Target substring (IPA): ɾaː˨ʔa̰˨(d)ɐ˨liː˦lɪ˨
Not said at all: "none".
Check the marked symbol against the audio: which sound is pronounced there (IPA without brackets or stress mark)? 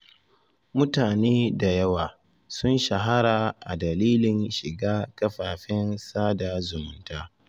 d